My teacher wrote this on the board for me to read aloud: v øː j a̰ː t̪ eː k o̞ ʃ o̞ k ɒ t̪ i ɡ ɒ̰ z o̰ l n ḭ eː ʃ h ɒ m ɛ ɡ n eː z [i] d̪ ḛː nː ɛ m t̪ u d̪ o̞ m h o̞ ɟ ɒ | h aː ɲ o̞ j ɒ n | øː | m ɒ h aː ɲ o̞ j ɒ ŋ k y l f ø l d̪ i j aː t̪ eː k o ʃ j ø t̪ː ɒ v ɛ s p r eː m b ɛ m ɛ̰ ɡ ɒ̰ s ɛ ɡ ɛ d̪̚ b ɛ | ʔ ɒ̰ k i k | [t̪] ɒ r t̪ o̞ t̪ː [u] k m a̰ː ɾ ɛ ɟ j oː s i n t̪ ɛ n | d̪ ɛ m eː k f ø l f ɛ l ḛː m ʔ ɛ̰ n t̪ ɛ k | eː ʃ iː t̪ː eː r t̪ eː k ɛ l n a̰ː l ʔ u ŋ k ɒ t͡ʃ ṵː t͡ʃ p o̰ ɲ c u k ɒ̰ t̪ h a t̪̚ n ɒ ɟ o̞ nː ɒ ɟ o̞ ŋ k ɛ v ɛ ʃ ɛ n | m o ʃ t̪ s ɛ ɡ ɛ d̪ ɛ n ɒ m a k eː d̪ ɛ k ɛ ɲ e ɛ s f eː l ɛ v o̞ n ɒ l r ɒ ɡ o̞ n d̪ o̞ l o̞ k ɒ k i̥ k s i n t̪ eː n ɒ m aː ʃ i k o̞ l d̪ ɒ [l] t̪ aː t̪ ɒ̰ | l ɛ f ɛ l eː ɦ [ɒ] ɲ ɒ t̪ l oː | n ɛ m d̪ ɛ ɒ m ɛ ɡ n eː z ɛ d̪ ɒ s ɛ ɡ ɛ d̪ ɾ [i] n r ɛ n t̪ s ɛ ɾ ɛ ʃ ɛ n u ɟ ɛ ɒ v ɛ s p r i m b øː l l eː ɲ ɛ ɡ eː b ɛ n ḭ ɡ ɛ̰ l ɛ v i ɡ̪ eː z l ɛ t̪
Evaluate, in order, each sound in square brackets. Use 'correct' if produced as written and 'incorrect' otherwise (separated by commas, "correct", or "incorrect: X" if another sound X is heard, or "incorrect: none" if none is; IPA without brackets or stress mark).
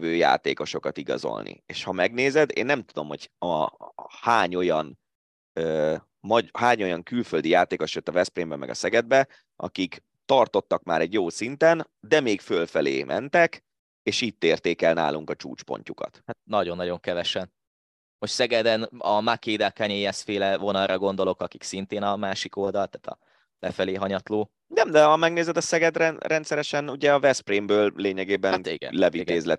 incorrect: ɛ, correct, incorrect: ɒ, correct, correct, incorrect: ɛ